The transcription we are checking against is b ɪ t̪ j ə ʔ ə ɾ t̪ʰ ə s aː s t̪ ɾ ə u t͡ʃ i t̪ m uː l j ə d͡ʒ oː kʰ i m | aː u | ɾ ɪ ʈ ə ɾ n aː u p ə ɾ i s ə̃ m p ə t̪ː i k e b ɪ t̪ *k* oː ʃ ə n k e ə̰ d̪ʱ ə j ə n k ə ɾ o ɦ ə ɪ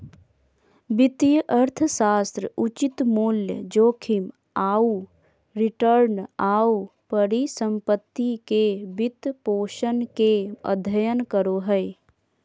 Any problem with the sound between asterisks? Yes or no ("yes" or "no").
yes